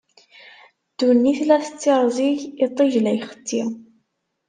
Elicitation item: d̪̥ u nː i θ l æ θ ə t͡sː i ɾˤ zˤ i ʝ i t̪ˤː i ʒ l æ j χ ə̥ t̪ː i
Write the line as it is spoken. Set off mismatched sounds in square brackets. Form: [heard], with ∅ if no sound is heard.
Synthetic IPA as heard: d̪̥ u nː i θ l æ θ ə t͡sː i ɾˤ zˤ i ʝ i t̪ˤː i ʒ l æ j χ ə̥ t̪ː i